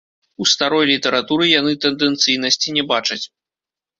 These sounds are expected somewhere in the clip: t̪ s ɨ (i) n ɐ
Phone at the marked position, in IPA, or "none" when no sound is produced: j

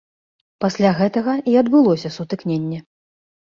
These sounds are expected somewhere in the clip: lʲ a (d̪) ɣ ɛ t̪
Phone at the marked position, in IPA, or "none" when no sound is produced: none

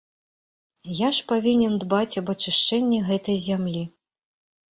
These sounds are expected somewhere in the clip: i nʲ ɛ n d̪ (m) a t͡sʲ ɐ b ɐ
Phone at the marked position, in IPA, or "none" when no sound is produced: b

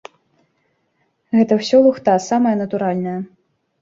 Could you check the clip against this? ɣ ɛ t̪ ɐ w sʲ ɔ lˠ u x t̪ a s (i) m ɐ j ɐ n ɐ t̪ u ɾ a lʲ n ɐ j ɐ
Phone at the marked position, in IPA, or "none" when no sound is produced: a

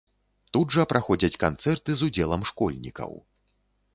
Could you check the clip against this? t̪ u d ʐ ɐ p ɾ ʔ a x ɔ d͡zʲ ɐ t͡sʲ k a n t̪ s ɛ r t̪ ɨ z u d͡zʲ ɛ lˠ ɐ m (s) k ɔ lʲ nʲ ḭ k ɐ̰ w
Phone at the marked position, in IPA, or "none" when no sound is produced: ʂ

